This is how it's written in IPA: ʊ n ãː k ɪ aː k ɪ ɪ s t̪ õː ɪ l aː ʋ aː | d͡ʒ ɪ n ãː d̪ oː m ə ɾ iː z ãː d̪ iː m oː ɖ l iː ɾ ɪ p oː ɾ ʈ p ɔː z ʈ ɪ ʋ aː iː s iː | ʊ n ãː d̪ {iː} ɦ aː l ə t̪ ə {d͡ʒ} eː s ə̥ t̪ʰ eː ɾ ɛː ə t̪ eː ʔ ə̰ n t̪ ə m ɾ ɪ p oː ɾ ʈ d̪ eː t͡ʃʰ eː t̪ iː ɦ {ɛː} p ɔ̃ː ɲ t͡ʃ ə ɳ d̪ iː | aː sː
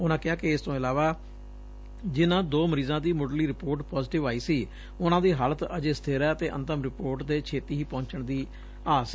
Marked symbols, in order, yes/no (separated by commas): yes, yes, no